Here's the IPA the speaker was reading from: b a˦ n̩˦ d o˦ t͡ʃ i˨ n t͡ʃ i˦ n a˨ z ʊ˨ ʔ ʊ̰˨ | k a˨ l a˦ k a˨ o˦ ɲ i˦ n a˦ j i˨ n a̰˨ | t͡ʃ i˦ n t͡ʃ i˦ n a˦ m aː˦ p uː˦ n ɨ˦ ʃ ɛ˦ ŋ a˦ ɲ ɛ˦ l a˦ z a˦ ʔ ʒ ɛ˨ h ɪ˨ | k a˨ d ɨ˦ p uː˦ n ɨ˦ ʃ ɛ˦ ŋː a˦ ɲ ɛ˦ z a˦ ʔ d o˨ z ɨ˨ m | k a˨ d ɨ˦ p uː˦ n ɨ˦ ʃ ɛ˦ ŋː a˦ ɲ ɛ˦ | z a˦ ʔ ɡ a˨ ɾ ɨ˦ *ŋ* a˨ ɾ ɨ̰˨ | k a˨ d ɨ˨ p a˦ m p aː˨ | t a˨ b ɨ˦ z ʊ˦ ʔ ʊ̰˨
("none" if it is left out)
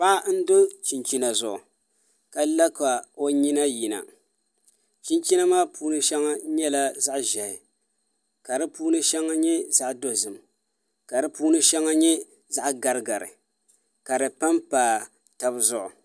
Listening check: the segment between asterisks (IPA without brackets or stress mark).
ɡ